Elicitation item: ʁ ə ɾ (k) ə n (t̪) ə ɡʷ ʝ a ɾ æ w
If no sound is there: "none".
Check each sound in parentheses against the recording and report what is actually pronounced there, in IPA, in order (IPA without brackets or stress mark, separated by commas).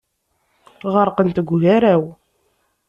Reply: q, t̪